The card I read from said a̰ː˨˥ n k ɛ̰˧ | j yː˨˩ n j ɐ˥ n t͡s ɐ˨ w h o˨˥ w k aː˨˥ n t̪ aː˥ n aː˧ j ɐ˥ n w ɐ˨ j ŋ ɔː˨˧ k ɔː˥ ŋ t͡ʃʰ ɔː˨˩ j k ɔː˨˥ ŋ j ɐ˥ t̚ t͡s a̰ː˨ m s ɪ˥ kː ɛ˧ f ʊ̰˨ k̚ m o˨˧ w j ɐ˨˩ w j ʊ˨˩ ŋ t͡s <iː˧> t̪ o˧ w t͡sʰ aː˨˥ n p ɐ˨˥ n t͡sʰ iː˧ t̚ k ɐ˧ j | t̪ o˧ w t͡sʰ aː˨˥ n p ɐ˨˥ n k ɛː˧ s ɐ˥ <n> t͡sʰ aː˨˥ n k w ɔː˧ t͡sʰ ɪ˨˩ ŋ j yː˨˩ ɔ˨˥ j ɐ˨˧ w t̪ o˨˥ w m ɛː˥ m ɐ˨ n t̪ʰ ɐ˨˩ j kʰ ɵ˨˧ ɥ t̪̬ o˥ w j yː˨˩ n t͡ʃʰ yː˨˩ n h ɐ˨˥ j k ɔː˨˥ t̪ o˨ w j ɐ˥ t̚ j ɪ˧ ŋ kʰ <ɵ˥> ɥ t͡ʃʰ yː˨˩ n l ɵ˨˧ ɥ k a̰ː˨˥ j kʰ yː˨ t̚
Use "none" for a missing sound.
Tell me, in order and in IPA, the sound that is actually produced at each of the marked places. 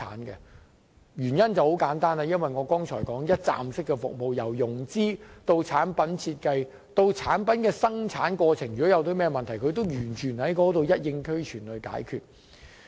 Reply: iː˥, ŋ, ɵ˥

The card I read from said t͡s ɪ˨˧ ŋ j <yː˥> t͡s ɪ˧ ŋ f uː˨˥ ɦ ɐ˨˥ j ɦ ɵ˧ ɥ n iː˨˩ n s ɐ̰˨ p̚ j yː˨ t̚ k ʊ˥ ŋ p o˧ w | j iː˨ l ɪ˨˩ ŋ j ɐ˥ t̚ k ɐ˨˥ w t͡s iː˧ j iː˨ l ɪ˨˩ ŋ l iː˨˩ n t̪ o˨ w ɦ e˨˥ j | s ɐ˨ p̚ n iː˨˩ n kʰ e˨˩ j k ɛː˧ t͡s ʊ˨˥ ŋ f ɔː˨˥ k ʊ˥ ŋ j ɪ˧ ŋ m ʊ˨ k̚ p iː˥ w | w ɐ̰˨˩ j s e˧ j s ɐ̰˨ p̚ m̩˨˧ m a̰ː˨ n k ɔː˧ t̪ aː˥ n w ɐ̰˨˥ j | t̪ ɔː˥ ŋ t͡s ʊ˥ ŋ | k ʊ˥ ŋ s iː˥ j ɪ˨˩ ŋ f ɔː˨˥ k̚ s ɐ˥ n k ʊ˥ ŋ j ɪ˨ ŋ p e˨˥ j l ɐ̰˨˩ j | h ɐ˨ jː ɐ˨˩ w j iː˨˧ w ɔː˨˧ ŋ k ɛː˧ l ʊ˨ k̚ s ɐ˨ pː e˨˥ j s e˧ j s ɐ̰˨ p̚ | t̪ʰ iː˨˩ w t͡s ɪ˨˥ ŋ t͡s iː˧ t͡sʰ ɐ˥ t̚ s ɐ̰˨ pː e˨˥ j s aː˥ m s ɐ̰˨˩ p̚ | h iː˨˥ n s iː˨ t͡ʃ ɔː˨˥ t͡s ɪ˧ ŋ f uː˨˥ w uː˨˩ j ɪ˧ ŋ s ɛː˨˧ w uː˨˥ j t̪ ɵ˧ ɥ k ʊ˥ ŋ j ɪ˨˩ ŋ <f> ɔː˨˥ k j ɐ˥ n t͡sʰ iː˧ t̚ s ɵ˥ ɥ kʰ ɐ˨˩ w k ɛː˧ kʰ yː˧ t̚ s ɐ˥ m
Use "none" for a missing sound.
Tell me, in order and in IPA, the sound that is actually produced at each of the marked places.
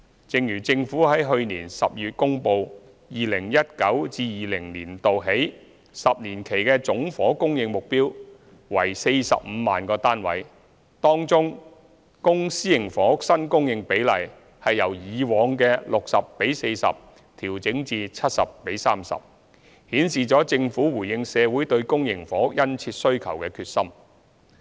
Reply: yː˨˩, f

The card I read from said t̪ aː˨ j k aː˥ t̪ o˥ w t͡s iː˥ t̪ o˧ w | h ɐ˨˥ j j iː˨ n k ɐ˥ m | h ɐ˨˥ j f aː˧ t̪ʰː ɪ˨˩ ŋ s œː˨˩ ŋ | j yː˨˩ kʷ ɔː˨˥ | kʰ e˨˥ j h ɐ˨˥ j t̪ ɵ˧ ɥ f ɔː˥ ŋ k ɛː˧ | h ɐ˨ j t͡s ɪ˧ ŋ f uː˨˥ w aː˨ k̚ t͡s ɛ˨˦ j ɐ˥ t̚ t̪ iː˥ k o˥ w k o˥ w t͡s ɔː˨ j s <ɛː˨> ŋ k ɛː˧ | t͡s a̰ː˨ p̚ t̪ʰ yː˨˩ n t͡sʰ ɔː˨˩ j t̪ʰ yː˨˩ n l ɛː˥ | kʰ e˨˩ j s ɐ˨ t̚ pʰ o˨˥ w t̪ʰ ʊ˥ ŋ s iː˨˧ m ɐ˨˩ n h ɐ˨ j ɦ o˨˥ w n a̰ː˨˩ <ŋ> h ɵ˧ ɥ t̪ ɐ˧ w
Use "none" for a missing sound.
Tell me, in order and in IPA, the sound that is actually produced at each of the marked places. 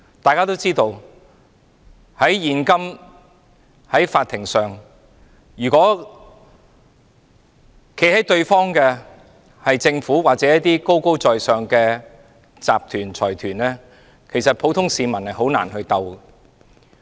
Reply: œː˨, n

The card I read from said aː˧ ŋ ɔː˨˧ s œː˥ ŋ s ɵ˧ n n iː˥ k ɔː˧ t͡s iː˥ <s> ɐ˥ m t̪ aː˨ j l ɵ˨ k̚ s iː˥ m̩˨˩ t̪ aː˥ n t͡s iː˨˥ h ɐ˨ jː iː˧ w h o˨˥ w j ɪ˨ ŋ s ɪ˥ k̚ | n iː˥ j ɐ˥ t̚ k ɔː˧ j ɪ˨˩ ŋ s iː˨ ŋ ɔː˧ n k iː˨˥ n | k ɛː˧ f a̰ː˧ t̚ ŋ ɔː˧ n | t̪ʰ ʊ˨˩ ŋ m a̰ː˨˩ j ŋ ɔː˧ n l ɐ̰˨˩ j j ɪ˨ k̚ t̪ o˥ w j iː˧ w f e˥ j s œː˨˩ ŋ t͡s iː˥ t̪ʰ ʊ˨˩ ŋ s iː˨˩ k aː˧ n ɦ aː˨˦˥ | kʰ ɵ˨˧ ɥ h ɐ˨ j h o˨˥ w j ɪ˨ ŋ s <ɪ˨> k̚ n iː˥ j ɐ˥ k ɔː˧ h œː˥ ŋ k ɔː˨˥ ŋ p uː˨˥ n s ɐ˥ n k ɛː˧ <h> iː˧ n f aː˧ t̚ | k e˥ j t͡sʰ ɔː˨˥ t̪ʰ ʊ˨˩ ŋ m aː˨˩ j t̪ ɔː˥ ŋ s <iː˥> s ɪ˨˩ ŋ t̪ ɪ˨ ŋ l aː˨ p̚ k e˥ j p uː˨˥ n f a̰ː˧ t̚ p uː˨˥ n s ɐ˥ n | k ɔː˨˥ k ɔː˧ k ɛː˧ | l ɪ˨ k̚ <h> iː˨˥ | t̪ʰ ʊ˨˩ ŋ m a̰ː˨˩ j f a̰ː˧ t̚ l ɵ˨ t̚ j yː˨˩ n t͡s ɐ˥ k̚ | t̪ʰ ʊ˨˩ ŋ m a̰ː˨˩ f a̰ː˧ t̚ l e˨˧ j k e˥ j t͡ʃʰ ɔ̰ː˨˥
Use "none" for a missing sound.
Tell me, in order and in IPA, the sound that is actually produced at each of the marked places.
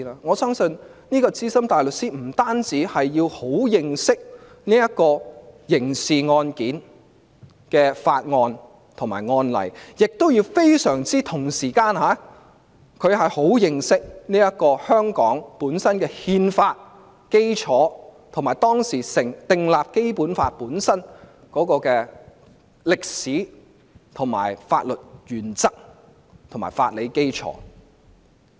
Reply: s, ɪ˥, h, iː˨˩, s

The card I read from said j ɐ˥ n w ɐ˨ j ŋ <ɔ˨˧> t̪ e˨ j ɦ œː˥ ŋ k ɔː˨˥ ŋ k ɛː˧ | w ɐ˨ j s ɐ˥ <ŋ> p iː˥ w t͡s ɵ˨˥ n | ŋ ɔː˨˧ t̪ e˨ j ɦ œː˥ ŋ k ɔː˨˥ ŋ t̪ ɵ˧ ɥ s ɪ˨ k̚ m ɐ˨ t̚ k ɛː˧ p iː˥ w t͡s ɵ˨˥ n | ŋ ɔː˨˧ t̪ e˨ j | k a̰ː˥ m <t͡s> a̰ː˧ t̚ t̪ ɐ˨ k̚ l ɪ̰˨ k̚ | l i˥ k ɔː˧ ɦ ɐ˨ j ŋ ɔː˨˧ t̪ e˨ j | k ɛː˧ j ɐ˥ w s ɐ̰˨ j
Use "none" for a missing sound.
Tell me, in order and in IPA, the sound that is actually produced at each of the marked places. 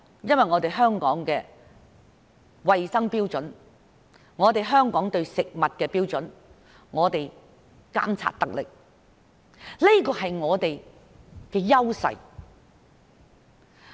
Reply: ɔː˨˧, ŋ, t͡sʰ

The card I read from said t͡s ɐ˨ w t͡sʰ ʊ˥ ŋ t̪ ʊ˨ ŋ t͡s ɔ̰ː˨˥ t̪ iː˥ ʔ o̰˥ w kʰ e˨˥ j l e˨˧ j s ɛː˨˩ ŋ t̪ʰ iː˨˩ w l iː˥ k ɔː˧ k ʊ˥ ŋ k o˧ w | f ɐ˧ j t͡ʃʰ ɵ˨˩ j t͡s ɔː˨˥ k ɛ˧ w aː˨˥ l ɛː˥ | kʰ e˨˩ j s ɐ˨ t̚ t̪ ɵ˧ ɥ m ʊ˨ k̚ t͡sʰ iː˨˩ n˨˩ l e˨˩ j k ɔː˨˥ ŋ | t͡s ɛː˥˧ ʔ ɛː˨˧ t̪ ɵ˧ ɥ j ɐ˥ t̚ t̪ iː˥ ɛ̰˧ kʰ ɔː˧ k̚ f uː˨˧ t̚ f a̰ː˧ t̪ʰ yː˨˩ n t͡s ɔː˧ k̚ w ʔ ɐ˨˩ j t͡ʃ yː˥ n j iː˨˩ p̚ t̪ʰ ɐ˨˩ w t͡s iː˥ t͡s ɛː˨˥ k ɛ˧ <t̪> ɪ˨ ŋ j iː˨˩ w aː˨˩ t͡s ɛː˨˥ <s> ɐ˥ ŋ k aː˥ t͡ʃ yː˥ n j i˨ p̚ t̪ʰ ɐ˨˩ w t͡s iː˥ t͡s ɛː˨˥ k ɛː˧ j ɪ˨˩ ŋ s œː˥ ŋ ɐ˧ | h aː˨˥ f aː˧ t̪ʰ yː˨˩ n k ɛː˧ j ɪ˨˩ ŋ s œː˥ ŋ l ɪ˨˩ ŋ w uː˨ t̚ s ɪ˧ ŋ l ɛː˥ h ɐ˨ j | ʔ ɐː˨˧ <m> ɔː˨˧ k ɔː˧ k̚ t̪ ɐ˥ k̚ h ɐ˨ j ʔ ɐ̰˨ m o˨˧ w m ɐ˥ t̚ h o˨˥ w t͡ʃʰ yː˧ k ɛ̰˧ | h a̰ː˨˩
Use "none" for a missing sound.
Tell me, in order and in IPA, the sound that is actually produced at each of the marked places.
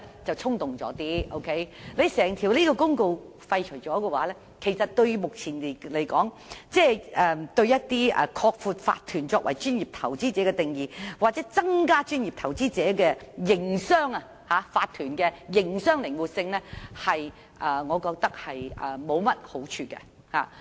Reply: t̪, t͡s, ŋ

